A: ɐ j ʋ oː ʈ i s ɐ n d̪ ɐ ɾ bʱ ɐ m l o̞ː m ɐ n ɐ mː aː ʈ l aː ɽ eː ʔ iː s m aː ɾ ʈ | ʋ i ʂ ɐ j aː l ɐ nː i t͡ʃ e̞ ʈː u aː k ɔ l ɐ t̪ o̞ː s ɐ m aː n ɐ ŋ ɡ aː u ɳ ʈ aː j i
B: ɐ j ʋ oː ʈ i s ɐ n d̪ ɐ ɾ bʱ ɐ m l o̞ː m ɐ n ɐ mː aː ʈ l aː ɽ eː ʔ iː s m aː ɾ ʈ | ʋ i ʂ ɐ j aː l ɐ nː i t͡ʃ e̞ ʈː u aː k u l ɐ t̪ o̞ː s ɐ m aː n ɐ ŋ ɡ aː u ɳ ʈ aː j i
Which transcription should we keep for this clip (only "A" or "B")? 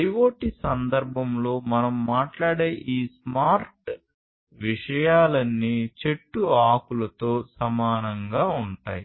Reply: B